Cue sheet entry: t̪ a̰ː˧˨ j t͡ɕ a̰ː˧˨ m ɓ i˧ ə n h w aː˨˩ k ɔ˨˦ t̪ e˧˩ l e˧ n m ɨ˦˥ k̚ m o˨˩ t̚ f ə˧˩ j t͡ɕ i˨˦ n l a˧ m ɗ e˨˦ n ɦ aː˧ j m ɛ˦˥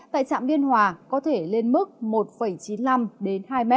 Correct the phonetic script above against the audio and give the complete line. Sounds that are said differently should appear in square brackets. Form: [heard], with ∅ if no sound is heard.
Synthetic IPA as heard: t̪ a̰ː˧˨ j t͡ɕ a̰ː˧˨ m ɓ i˧ ə n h w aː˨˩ k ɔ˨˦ [t̪ʰ] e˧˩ l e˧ n m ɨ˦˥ k̚ m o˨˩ t̚ f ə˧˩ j t͡ɕ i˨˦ n l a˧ m ɗ e˨˦ n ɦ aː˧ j m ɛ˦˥